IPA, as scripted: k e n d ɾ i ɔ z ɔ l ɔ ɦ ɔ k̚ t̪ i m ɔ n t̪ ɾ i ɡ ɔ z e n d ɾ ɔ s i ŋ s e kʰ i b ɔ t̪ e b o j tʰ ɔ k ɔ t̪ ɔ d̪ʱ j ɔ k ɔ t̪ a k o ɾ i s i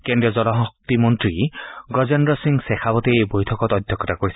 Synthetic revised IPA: k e n d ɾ i ɔ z ɔ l ɔ ɦ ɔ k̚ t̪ i m ɔ n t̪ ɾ i ɡ ɔ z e n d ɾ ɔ s i ŋ s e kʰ a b ɔ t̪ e b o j tʰ ɔ k ɔ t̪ ɔ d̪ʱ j ɔ k ɔ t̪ a k o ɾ i s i